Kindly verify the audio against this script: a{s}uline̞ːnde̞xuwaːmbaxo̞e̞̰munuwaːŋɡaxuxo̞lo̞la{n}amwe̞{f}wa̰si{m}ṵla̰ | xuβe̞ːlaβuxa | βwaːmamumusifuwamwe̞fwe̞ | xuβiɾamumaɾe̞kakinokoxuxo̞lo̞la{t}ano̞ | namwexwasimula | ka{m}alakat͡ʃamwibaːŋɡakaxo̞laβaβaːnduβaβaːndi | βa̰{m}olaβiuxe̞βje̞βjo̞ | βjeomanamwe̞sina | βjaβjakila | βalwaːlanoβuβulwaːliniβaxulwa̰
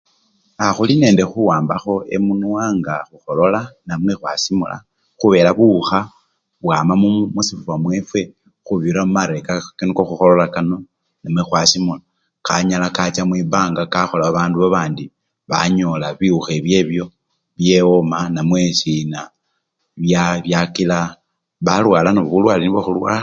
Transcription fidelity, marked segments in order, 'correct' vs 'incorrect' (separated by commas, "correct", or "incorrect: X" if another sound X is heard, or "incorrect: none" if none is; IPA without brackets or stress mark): incorrect: x, correct, incorrect: x, correct, incorrect: k, incorrect: ɲ, incorrect: ɲ